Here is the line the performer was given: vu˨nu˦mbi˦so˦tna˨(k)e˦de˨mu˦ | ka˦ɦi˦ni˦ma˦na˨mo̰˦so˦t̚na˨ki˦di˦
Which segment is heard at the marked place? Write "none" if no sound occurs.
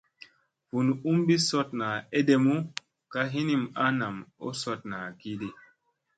none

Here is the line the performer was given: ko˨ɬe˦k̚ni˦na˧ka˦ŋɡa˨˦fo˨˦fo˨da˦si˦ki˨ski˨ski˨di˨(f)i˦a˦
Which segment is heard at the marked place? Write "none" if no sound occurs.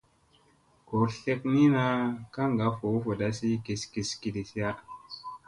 s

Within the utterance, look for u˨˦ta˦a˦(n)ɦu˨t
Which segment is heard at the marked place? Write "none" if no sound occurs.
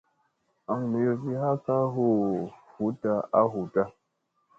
none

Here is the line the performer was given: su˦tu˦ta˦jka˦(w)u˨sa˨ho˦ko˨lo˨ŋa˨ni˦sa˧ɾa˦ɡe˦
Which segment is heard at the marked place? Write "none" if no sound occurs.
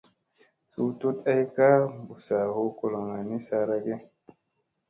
b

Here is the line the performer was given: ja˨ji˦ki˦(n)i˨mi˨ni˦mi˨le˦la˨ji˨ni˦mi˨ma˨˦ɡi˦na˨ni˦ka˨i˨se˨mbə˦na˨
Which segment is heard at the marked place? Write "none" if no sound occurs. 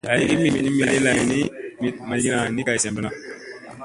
m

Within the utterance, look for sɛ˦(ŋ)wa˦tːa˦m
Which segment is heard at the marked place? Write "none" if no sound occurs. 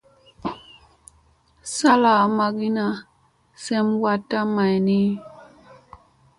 m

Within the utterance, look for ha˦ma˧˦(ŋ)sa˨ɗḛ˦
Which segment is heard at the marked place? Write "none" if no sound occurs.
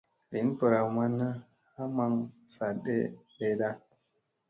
ŋ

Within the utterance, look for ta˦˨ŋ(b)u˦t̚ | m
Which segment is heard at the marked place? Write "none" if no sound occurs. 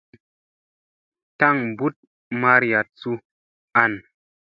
b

